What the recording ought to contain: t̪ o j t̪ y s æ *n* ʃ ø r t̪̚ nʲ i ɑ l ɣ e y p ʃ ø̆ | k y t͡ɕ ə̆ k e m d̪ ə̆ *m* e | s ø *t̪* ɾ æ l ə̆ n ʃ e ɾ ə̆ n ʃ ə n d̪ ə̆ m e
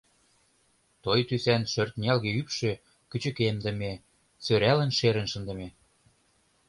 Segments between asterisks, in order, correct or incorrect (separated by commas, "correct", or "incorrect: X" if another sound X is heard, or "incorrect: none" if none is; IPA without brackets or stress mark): correct, correct, incorrect: none